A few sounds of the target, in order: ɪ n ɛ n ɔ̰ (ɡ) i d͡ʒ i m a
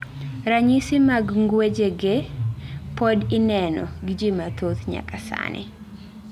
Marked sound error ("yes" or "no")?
no